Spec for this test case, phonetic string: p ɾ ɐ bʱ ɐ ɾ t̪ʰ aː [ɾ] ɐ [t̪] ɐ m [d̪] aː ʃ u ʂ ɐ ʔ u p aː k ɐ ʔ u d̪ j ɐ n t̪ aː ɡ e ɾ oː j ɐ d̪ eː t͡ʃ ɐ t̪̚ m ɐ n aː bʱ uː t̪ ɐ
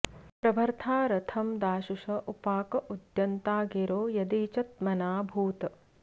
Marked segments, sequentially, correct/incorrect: correct, incorrect: t̪ʰ, correct

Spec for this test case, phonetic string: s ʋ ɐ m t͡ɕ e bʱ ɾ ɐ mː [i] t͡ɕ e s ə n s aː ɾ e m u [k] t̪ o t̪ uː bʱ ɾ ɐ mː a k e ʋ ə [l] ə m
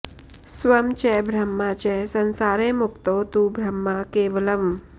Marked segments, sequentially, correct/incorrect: incorrect: a, correct, correct

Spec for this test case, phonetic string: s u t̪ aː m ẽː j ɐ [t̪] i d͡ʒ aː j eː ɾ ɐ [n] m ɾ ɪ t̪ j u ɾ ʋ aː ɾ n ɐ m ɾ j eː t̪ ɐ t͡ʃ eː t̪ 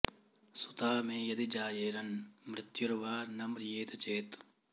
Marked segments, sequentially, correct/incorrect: incorrect: d̪, correct

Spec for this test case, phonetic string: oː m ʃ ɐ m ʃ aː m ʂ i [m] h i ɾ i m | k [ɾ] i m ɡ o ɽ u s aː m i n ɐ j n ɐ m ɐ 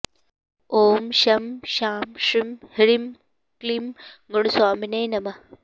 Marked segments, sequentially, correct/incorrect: correct, incorrect: l

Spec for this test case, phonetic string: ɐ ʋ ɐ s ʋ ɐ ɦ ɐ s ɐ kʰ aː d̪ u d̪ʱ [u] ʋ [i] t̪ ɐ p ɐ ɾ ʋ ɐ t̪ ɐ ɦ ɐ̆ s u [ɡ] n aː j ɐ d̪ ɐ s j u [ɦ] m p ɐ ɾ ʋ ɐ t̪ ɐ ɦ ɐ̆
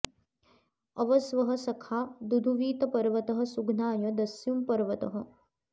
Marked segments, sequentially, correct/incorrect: correct, incorrect: iː, correct, incorrect: none

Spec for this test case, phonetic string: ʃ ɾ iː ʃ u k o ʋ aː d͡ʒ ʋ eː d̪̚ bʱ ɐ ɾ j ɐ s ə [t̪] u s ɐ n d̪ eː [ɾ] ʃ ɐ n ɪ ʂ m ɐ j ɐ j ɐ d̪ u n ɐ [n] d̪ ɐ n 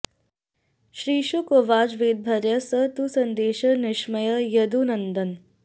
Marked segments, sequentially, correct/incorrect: correct, incorrect: none, correct

